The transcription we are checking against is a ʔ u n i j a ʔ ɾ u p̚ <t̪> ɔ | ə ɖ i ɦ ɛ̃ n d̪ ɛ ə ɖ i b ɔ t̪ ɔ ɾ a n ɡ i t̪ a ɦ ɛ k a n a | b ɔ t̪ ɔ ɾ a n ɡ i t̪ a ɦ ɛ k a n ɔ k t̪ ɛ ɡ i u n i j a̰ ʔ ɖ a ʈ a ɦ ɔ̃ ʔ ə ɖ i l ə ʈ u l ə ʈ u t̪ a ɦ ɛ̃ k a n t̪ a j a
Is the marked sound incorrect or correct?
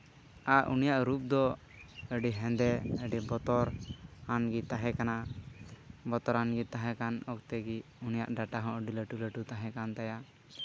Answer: incorrect